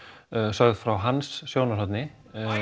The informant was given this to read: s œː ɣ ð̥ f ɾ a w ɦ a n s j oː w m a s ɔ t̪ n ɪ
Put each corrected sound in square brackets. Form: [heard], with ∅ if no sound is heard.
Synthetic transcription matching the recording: s [œ] ɣ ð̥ f ɾ a w ɦ a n [sː] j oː w [n] a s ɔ t̪ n ɪ